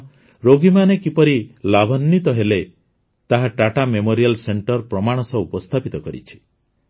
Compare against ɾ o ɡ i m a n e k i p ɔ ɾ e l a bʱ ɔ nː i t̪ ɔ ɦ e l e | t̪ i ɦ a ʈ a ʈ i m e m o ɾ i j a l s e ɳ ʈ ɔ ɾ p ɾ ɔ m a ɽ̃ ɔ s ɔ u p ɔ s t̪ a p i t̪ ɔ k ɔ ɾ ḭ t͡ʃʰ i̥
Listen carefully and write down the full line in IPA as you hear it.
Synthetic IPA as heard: ɾ o ɡ i m a n e k i p ɔ ɾ i l a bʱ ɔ nː i t̪ ɔ ɦ e l e | t̪ a ɦ a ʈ a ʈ a m e m o ɾ i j a l s e ɳ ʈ ɔ ɾ p ɾ ɔ m a ɽ̃ ɔ s ɔ u p ɔ s t̪ʰ a p i t̪ ɔ k ɔ ɾ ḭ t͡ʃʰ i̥